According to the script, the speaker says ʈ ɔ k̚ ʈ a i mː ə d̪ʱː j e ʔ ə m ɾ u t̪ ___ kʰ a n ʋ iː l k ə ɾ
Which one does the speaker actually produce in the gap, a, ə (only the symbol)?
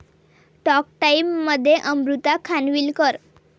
a